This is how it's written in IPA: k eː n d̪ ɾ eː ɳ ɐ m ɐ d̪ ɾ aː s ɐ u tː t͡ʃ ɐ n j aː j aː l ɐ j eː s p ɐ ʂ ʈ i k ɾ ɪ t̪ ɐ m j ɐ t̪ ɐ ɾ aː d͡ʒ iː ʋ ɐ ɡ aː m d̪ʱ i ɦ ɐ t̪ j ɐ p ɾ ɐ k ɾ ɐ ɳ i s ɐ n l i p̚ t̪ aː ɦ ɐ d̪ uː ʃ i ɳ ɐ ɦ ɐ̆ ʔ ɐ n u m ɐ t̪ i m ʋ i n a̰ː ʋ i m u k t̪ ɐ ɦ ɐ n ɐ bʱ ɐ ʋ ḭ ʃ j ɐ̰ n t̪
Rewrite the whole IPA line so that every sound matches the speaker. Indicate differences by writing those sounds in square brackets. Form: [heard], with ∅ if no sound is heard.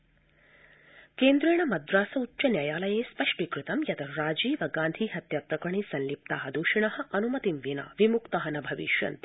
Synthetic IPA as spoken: k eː n d̪ ɾ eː ɳ ɐ m ɐ d̪ ɾ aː s ɐ u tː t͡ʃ ɐ n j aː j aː l ɐ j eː s p ɐ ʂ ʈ i k ɾ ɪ t̪ ɐ m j ɐ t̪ ɐ ɾ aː d͡ʒ iː ʋ ɐ ɡ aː [n] d̪ʱ i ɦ ɐ t̪ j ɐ p ɾ ɐ k ɾ ɐ ɳ i s ɐ n l i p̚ t̪ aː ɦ ɐ d̪ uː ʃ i ɳ ɐ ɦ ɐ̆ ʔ ɐ n u m ɐ t̪ i m ʋ i n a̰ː ʋ i m u k t̪ ɐ ɦ ɐ n ɐ bʱ ɐ ʋ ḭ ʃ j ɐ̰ n t̪